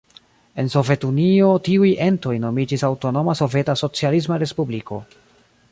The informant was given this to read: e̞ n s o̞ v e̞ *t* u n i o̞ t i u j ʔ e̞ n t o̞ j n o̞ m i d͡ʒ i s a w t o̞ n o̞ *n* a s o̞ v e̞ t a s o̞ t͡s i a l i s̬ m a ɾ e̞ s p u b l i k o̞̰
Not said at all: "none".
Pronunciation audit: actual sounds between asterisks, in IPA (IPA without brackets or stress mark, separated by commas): t, m